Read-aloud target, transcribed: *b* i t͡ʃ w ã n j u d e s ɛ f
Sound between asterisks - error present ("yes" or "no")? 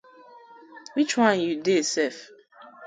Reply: yes